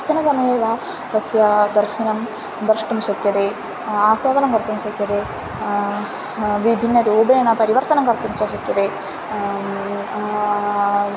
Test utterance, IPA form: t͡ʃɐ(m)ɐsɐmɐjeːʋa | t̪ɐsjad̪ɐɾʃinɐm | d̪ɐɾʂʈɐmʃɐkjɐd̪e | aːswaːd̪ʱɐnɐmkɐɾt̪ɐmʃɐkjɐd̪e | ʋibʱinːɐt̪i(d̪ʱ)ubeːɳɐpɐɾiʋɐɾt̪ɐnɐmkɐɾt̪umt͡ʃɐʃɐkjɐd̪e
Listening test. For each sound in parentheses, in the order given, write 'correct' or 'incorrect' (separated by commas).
incorrect, incorrect